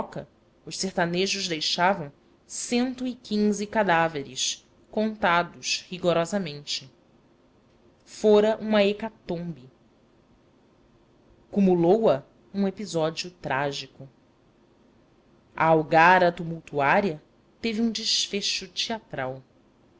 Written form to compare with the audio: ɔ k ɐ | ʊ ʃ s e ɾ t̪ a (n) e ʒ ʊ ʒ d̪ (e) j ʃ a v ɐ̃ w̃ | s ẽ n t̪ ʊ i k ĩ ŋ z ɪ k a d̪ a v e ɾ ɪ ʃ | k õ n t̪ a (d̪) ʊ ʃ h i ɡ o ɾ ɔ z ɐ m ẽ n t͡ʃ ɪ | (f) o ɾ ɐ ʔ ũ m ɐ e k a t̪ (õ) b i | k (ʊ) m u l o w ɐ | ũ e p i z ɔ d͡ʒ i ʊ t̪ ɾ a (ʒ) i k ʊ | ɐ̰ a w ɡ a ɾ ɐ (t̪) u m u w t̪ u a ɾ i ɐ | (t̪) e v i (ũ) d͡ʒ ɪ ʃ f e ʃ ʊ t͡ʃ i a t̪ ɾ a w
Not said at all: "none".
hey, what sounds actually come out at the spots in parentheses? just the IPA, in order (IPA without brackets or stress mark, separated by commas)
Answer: n, e, d̪, f, õ, u, ʒ, t̪, t̪, ũ